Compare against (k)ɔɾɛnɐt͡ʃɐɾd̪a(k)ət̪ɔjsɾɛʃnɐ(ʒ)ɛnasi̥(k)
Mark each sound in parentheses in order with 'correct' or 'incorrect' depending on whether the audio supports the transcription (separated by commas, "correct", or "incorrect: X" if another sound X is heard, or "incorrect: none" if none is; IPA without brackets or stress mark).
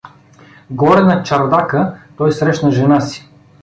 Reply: incorrect: ɡ, correct, correct, incorrect: none